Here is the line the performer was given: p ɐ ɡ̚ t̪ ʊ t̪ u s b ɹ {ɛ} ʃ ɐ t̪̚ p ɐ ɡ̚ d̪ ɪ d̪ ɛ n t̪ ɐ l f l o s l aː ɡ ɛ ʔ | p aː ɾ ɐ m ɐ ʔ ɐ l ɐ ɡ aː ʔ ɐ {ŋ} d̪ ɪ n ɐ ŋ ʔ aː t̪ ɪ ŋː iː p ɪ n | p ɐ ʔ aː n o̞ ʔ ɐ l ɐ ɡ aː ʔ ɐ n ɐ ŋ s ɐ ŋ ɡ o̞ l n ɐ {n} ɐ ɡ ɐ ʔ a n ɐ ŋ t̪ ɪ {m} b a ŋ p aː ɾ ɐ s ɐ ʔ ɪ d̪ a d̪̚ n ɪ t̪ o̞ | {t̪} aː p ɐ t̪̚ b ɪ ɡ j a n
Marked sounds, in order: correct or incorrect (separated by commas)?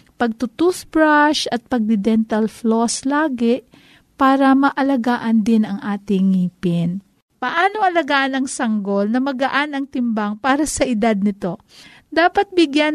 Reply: incorrect, incorrect, incorrect, correct, incorrect